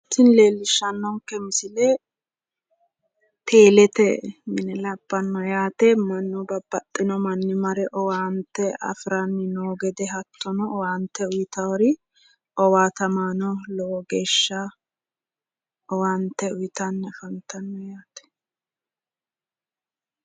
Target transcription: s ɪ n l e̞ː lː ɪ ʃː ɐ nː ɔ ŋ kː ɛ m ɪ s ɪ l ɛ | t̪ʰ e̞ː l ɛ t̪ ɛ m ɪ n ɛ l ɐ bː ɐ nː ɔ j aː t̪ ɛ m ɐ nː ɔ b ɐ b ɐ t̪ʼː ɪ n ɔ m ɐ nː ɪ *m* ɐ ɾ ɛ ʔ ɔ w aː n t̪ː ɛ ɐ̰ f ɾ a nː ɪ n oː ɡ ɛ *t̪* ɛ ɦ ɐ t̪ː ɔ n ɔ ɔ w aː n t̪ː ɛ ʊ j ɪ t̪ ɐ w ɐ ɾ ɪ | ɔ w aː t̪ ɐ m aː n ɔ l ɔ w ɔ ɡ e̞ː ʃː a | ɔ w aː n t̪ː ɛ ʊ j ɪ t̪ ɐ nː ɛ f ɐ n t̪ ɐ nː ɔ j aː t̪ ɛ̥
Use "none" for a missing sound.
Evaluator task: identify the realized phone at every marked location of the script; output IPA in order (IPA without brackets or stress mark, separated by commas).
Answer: m, d̪